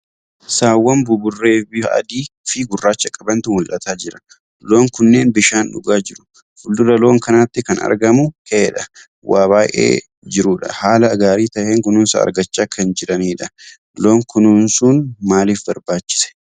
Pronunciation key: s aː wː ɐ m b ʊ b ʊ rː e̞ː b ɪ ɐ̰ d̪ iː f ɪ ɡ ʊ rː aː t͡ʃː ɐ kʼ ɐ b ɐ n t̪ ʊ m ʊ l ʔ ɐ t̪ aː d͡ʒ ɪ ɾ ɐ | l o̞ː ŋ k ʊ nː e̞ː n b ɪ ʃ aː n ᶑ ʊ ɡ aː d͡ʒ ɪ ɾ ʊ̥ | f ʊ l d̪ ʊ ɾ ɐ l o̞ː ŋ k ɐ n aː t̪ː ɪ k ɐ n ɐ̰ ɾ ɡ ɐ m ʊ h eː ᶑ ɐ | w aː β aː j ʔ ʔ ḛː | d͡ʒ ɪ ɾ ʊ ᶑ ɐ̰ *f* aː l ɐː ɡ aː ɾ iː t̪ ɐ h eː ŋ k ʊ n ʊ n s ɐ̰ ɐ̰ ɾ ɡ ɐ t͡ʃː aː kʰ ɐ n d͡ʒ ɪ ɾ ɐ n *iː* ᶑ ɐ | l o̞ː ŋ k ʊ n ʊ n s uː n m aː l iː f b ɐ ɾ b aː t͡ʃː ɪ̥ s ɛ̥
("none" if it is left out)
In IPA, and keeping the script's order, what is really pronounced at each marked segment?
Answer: h, iː

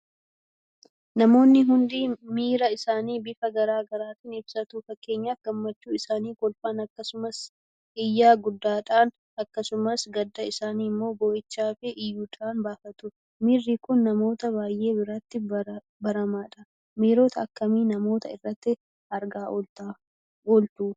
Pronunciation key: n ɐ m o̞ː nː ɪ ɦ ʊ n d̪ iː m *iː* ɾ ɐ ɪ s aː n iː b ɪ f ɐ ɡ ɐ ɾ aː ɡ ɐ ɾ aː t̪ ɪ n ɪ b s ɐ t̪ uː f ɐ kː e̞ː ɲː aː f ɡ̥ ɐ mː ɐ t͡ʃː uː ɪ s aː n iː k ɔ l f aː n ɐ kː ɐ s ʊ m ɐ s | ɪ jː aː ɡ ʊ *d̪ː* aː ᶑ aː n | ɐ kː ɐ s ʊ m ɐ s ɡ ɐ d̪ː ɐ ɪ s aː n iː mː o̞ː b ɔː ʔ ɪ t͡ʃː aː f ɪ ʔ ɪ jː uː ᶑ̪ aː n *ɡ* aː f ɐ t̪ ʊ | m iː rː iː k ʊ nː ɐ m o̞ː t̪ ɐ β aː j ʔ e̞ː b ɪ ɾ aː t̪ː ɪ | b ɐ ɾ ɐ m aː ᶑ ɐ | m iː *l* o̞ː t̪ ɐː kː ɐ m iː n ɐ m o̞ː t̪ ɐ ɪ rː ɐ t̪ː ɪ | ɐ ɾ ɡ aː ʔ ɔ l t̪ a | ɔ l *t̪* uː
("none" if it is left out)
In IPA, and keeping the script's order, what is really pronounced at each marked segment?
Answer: iː, d̪ː, b, ɾ, t̪

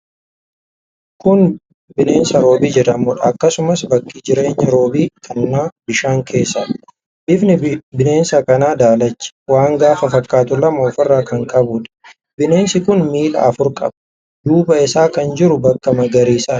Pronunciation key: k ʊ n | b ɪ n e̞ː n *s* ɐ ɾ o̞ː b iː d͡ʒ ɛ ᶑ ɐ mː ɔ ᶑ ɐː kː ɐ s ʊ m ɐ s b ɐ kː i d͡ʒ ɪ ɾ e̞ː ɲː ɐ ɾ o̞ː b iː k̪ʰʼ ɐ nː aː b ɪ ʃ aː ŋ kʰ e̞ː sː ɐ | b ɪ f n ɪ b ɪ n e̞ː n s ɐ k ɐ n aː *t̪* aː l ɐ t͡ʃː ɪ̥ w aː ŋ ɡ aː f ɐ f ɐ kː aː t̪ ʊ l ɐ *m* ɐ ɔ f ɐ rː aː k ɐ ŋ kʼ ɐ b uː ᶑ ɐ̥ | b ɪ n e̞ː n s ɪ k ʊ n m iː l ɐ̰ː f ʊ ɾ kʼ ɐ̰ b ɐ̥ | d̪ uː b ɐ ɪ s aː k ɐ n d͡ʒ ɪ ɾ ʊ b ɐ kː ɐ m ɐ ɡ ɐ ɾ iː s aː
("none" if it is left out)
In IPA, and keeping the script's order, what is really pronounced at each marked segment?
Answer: s, d̪, m

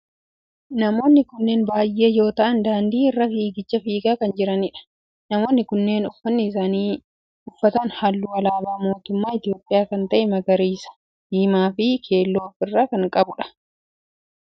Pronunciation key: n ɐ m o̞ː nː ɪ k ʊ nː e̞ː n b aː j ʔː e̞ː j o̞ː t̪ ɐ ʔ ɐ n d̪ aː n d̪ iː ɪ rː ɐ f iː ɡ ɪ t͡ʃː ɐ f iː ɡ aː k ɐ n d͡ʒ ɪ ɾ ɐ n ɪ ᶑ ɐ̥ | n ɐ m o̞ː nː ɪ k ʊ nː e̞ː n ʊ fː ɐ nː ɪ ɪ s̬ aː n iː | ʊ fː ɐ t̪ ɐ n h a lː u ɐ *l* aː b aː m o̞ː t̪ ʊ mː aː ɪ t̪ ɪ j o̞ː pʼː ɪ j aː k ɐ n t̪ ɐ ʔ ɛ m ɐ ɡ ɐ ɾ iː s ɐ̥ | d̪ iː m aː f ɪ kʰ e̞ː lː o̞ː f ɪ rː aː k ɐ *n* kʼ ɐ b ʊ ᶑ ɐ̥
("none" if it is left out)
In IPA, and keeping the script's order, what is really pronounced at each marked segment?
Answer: l, ŋ

